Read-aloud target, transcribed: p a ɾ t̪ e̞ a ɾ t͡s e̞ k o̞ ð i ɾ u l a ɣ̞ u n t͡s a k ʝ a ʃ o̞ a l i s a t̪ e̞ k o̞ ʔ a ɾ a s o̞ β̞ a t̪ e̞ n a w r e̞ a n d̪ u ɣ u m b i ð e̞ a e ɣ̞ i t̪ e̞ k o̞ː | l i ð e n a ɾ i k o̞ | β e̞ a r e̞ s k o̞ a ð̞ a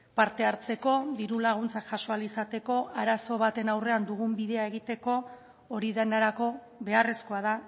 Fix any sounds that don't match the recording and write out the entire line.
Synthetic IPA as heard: p a ɾ t̪ e̞ a ɾ t͡s e̞ k o̞ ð i ɾ u l a ɣ̞ u n t͡s a k ʝ a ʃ o̞ a l i s a t̪ e̞ k o̞ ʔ a ɾ a s o̞ β̞ a t̪ e̞ n a w r e̞ a n d̪ u ɣ u m b i ð e̞ a e ɣ̞ i t̪ e̞ k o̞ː | ɾ i ð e n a ɾ a k o̞ | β e̞ a r e̞ s k o̞ a ð̞ a